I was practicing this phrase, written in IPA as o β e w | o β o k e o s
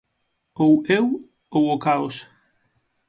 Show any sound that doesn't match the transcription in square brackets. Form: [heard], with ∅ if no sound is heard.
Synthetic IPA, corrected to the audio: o [w] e w | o [w] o k [a] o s